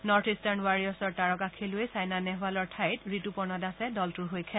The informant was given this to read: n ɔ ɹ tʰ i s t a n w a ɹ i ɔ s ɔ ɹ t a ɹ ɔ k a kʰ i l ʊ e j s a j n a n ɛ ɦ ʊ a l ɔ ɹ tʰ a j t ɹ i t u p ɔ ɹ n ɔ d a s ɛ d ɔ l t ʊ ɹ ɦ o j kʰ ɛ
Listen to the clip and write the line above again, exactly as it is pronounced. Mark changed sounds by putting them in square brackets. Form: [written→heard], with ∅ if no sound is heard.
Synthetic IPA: n ɔ ɹ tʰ i s t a n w a ɹ i ɔ s ɔ ɹ t a ɹ ɔ k a kʰ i l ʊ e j s a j n a n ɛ ɦ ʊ a l ɔ ɹ tʰ a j t ɹ i t u p ɔ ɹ n ɔ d a s ɛ d ɔ l t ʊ ɹ ɦ o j kʰ ɛ